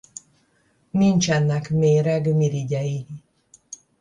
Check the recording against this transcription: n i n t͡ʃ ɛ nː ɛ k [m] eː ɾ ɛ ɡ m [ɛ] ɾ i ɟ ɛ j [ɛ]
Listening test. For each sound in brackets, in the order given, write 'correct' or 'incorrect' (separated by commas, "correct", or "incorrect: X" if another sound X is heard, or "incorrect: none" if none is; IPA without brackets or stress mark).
correct, incorrect: i, incorrect: i